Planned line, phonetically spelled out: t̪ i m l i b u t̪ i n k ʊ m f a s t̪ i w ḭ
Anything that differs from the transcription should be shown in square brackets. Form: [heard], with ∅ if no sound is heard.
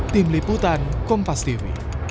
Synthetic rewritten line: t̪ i m l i [p] u t̪ [a] n k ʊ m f a s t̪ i w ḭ

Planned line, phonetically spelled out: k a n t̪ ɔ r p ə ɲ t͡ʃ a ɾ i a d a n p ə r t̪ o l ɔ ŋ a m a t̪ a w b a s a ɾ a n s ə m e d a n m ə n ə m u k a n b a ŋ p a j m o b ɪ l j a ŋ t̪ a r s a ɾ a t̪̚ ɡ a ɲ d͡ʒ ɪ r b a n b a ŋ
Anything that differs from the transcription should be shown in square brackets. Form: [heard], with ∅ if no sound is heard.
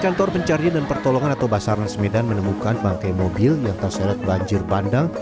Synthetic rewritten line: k a n t̪ ɔ r p ə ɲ t͡ʃ a ɾ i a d a n p ə r t̪ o l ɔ ŋ a [n] a t̪ a w b a s a ɾ a n s ə m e d a n m ə n ə m u k a n b a ŋ [k] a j m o b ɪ l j a ŋ t̪ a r s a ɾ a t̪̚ [b] a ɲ d͡ʒ ɪ r b a n [d] a ŋ

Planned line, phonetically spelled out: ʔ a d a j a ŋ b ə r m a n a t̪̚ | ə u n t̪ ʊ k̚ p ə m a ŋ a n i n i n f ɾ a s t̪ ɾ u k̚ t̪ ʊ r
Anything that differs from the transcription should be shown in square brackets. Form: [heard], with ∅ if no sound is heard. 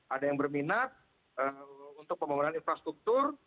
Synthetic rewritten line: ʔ a d a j a ŋ b ə r m [i] n a t̪̚ | ə u n t̪ ʊ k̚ p ə m a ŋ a n [a] n i n f ɾ a s t̪ ɾ u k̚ t̪ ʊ r

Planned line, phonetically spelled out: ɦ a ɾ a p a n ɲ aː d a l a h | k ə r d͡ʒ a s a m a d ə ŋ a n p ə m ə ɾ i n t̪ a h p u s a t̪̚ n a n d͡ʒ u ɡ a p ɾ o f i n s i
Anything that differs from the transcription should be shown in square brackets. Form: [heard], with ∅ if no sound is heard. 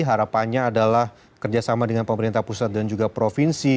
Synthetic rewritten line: ɦ a ɾ a p a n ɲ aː d a l a h | k ə r d͡ʒ a s a m a d ə ŋ a n p ə m ə ɾ i n t̪ a h p u s a t̪̚ [d] a n d͡ʒ u ɡ a p ɾ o f i n s i

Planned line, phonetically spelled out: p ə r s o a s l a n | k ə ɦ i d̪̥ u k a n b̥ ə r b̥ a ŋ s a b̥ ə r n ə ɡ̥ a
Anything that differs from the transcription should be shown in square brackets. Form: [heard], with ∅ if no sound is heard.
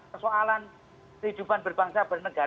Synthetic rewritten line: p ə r s o a [∅] l a n | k ə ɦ i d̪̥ u [p] a n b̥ ə r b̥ a ŋ s a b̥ ə r n ə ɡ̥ a

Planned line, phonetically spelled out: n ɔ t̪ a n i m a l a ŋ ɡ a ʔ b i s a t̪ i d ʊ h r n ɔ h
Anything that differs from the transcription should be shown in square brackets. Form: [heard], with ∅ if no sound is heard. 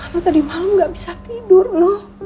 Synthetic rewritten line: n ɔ t̪ a [d] i m a l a [m] ɡ a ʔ b i s a t̪ i d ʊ [∅] r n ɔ h

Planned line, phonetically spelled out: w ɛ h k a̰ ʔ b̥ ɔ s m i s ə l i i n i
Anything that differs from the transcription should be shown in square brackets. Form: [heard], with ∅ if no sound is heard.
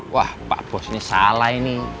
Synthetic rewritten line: w [a] h [p] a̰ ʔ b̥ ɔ s [n] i s [a] l [a] i n i

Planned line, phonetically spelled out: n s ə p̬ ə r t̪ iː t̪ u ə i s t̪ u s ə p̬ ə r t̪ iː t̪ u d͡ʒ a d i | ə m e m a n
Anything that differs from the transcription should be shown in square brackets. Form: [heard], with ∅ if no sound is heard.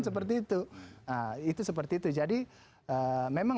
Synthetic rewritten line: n s ə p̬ ə r t̪ iː t̪ u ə i [∅] t̪ u s ə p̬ ə r t̪ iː t̪ u d͡ʒ a d i | ə m e m a [ŋ]

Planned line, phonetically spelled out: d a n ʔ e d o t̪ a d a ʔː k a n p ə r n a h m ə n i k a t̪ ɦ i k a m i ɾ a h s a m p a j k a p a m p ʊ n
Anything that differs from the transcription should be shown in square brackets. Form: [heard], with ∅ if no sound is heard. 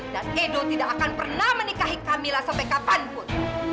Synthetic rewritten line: d a n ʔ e d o t̪ [i] d a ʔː k a n p ə r n a h m ə n i k a [∅] ɦ i k a m i [l] a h s a m p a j k a p a [n] p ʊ n

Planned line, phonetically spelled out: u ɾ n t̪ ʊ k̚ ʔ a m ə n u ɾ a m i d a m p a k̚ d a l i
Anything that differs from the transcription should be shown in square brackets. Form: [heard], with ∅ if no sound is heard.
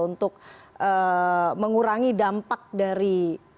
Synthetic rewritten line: u [∅] n t̪ ʊ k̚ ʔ [ə] m ə [ŋ] u ɾ a [ŋ] i d a m p a k̚ d a [ɾ] i

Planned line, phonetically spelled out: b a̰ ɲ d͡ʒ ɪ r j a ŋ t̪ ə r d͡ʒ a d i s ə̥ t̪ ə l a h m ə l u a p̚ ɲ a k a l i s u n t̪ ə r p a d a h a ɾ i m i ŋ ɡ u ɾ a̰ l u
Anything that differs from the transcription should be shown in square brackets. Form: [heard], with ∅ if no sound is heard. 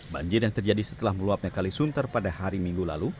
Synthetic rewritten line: b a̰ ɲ d͡ʒ ɪ r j a ŋ t̪ ə r d͡ʒ a d i s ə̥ t̪ ə l a h m ə l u a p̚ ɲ a k a l i s u n t̪ ə r p a d a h a ɾ i m i ŋ ɡ u [l] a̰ l u

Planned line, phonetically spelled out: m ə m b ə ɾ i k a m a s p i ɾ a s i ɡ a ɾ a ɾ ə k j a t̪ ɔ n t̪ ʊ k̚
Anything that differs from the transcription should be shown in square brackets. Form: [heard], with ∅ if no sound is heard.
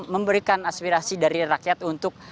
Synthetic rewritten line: m ə m b ə ɾ i k a [n] a s p i ɾ a s i [d] a ɾ [i] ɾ [a] k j a t̪ [u] n t̪ ʊ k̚

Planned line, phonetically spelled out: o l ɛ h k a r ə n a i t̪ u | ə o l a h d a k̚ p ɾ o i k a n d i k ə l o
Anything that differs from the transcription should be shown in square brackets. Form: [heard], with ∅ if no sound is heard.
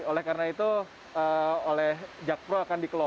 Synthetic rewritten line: o l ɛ h k a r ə n a i t̪ u | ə o l [ɛ] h [d͡ʒ] a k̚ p ɾ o [a] k a n d i k ə l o

